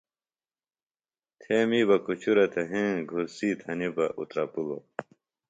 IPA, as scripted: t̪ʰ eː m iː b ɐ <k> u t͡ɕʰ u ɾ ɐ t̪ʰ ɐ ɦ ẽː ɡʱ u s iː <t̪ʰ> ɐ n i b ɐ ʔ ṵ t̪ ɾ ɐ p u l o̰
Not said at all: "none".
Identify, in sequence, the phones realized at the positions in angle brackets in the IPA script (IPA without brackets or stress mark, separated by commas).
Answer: k, t̪ʰ